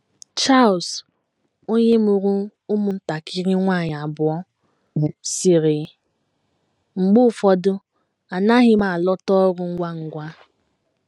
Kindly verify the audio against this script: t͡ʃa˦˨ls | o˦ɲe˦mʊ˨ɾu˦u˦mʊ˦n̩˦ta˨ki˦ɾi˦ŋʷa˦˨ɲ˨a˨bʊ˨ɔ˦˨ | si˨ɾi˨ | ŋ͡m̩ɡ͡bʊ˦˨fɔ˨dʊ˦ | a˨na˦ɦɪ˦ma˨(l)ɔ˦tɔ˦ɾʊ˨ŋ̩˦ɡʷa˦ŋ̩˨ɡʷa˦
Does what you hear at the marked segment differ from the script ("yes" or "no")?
no